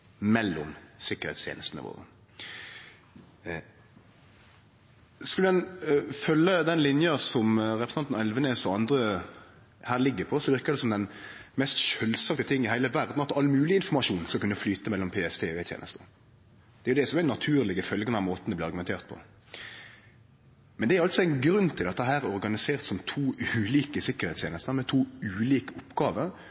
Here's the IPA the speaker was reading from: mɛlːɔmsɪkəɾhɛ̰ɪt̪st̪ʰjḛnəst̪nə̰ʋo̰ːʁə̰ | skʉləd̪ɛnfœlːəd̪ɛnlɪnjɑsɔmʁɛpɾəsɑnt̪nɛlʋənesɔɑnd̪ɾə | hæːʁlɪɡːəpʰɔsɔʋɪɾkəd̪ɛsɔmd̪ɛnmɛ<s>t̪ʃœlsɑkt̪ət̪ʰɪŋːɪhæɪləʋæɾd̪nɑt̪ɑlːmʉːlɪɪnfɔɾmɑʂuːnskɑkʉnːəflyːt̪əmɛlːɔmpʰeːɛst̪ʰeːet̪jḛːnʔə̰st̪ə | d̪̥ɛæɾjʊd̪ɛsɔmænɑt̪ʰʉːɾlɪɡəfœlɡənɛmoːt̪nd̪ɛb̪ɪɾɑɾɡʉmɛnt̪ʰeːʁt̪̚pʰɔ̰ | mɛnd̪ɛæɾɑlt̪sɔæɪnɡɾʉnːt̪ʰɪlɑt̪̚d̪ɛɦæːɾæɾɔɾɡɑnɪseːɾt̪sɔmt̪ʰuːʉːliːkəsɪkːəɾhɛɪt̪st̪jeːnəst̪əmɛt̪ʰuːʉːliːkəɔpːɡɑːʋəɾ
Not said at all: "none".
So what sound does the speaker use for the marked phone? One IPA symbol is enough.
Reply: s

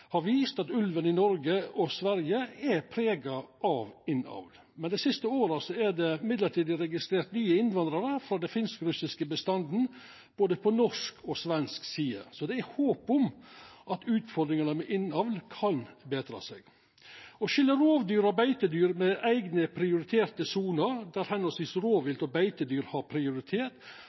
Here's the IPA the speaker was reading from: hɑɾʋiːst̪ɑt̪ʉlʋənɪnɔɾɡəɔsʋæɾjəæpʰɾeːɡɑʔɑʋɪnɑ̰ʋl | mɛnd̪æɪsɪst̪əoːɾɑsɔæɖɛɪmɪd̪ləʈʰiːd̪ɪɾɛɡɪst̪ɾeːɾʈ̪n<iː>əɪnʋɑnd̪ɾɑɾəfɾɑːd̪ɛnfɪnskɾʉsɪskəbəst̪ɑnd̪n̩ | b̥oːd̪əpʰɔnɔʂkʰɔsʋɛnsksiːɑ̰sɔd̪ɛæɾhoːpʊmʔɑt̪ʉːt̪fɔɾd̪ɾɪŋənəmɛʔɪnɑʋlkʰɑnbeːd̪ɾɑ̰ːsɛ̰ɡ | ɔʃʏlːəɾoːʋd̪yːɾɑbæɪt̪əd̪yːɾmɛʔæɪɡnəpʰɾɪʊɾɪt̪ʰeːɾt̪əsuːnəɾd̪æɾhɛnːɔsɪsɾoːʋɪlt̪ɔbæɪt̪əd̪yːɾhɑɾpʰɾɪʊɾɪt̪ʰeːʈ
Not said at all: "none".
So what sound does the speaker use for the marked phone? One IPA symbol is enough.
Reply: yː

